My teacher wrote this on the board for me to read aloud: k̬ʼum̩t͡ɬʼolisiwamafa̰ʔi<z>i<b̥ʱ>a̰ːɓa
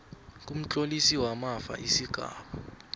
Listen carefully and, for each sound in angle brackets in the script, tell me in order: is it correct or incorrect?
incorrect, incorrect

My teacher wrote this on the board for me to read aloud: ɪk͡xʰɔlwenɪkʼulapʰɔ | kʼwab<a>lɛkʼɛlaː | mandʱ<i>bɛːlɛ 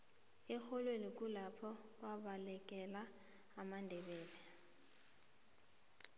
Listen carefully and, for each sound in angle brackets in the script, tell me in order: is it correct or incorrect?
correct, incorrect

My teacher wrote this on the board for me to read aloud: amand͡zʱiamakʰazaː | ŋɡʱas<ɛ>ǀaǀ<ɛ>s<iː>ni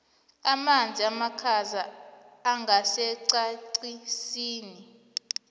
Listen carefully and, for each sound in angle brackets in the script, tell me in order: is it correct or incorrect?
correct, incorrect, correct

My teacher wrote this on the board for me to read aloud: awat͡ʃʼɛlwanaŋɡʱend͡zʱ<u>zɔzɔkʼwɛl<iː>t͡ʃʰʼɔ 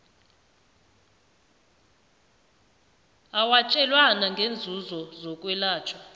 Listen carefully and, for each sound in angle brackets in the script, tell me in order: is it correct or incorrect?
correct, incorrect

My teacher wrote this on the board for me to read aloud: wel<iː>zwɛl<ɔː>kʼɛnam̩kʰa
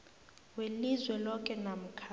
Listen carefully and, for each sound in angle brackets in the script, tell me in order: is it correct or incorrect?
incorrect, incorrect

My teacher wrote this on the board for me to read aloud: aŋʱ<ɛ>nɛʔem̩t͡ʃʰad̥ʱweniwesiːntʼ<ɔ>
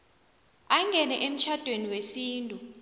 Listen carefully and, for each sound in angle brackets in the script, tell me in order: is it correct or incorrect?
correct, incorrect

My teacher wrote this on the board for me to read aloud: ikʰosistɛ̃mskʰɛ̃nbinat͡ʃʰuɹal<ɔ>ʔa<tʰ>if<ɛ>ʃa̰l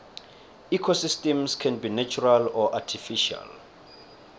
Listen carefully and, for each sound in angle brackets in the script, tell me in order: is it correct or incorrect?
correct, correct, incorrect

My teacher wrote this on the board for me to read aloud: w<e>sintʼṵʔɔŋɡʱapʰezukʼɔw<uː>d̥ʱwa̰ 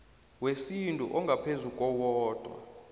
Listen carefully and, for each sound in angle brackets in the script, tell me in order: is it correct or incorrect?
correct, incorrect

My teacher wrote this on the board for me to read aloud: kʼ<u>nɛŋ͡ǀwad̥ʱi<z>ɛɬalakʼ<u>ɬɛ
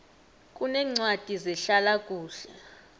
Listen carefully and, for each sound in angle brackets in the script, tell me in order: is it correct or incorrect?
correct, correct, incorrect

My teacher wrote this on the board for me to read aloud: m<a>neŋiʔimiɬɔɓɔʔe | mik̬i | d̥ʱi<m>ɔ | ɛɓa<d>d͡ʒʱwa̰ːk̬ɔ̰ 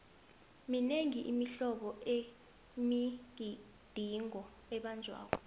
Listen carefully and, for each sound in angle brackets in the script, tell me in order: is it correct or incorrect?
incorrect, incorrect, incorrect

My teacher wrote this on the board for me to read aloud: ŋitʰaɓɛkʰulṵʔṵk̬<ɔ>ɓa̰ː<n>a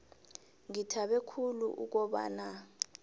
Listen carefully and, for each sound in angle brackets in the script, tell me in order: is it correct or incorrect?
correct, correct

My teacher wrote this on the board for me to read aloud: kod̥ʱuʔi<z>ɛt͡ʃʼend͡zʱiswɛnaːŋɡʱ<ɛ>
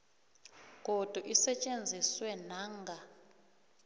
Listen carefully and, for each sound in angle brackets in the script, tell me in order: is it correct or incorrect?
incorrect, incorrect

